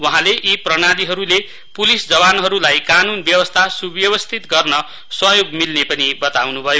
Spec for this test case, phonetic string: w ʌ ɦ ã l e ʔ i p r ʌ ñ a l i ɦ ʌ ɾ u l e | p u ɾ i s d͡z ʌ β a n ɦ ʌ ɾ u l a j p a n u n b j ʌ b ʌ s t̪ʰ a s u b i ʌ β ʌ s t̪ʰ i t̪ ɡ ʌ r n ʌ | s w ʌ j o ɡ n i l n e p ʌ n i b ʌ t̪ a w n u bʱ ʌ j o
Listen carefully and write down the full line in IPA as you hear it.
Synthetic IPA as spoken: w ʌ ɦ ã l e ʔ i p r ʌ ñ a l i ɦ ʌ ɾ u l e | p u l i s d͡z ʌ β a n ɦ ʌ ɾ u l a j k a n u n b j ʌ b ʌ s t̪ʰ a s u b j ʌ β ʌ s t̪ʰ i t̪ ɡ ʌ r n ʌ | s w ʌ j o ɡ m i l n e p ʌ n i b ʌ t̪ a w n u bʱ ʌ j o